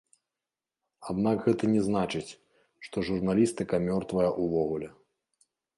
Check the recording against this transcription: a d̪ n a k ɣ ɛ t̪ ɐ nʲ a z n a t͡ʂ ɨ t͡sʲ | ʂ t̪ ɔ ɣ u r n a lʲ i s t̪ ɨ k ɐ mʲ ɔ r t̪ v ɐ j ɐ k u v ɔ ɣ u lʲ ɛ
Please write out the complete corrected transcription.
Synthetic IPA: a d̪ n a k ɣ ɛ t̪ ɐ nʲ ɛ z n a t͡ʂ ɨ t͡sʲ | ʂ t̪ ɔ ʐ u r n a lʲ i s t̪ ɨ k ɐ mʲ ɔ r t̪ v ɐ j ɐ ʔ u v ɔ ɣ u lʲ ɛ